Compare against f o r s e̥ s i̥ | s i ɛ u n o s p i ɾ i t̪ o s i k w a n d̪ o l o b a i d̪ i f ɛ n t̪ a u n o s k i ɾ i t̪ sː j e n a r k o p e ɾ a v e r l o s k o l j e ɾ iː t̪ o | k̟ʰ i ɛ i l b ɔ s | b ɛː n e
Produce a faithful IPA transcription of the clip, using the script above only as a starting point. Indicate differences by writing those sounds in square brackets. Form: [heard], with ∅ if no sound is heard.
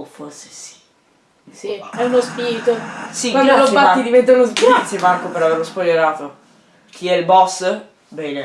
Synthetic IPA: f o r s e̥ s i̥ | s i ɛ u n o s p i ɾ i t̪ o s i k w a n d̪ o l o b a i d̪ i [v] ɛ n t̪ a u n o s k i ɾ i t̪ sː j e [m] a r k o p e ɾ a v e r l o s [p] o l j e ɾ [aː] t̪ o | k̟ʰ i ɛ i l b ɔ s | b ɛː n e